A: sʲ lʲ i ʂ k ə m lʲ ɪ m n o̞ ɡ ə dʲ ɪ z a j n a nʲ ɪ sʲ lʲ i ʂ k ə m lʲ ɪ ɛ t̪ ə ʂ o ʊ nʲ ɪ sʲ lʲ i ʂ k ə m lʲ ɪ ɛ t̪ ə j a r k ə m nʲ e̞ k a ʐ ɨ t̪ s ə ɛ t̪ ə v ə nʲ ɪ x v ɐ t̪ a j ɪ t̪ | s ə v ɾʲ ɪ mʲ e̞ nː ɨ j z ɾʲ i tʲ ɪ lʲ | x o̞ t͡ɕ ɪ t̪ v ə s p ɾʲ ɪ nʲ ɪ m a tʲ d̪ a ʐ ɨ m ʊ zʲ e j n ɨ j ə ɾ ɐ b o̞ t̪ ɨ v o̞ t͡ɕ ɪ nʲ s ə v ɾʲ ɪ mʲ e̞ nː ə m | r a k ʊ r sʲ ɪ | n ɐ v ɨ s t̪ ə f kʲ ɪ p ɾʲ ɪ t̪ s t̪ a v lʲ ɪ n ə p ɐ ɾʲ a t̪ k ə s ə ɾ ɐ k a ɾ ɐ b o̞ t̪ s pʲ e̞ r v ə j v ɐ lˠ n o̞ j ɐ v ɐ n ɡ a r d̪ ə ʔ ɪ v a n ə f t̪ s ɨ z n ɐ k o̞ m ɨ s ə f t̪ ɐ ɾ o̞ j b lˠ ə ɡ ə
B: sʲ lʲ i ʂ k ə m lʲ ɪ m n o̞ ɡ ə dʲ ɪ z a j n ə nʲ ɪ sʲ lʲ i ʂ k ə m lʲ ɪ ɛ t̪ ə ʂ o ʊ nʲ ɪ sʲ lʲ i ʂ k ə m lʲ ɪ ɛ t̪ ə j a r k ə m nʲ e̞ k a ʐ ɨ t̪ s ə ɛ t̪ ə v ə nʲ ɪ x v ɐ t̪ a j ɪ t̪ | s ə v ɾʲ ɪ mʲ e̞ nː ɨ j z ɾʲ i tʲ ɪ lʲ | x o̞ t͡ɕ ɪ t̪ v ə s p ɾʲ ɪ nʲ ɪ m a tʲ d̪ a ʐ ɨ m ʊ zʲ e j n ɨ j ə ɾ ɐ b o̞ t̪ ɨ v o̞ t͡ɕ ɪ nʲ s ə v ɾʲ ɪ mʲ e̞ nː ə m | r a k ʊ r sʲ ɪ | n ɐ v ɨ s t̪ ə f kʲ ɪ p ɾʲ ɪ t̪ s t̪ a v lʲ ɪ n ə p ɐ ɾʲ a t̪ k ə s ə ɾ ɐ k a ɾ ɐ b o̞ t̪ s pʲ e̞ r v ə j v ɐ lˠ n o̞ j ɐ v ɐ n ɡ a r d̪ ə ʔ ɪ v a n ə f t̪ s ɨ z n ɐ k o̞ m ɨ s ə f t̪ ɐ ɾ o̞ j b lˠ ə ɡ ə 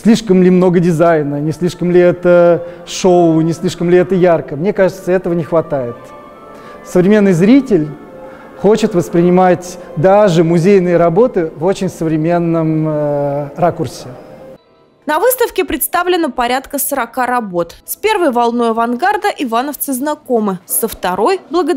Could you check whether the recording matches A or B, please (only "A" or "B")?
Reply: B